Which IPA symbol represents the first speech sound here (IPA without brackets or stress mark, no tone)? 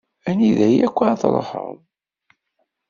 æ